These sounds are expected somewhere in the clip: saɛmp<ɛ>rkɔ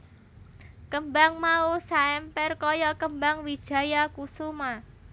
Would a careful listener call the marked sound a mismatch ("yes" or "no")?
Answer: no